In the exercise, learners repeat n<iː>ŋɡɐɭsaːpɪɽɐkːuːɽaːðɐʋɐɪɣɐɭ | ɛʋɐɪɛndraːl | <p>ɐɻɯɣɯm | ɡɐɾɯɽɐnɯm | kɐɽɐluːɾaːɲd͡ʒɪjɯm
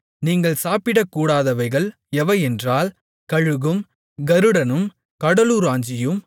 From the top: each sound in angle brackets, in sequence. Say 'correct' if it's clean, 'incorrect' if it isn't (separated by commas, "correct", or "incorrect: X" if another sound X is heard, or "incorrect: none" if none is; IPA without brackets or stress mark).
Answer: correct, incorrect: k